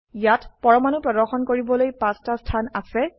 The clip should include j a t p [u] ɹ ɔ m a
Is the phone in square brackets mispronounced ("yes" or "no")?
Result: yes